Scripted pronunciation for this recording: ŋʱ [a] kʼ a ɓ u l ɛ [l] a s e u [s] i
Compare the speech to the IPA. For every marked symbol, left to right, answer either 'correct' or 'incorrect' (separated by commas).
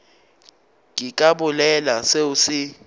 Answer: incorrect, correct, correct